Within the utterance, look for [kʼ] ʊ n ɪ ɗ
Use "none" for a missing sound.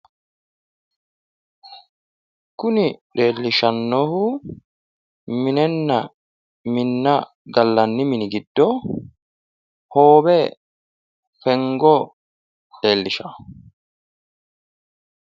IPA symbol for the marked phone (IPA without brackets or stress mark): k